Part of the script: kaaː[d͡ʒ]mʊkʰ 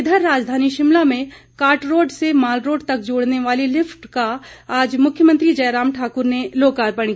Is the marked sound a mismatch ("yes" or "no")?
no